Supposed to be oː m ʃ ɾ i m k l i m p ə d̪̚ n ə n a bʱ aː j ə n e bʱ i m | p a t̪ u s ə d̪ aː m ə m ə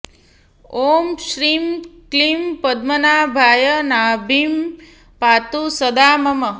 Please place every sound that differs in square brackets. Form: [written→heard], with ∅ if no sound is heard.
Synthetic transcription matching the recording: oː m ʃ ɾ i m k l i m p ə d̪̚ [n→m] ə n a bʱ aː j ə n [e→a] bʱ i m | p a t̪ u s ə d̪ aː m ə m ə